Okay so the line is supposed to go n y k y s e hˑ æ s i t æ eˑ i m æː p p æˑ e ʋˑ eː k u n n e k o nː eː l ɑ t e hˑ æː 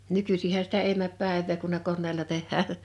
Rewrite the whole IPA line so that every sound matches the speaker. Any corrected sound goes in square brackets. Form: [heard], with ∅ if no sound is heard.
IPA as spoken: n y k y s [i] hˑ æ s i t æ eˑ i m [æ] p p æˑ e ʋˑ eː k u n n e k o nː eː l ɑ t e hˑ æː